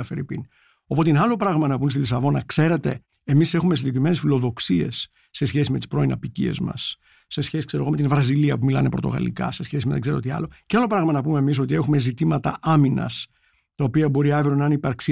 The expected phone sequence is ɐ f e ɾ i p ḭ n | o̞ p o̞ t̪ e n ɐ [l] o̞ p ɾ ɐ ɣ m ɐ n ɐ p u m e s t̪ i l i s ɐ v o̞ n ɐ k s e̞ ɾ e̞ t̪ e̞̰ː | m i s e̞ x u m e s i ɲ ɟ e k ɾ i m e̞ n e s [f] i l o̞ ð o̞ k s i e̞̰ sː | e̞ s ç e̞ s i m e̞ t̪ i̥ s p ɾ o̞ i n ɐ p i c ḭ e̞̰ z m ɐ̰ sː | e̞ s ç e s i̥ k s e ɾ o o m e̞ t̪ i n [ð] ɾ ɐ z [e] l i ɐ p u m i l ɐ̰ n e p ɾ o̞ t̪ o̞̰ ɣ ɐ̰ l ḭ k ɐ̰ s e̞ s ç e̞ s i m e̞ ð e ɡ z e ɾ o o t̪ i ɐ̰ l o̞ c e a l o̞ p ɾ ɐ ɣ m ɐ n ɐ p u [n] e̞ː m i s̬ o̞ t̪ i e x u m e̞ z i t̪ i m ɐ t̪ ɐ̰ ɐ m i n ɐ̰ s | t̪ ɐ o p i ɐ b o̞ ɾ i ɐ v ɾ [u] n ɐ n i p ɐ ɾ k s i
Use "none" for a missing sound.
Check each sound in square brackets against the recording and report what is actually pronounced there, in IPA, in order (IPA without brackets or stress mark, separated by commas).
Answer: l, f, v, i, m, o